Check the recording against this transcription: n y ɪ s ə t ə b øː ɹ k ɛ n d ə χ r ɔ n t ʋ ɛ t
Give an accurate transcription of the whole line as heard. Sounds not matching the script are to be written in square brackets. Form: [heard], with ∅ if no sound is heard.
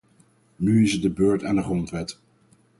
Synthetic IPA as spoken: n y ɪ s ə [d] ə b øː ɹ [t] ɛ n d ə χ r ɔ n t ʋ ɛ t